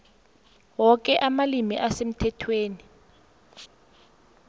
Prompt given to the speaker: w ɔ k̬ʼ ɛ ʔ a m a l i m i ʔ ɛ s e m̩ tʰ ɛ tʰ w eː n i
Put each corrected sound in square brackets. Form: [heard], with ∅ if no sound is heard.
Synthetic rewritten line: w ɔ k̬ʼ ɛ ʔ a m a l i m i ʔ [a] s e m̩ tʰ ɛ tʰ w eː n i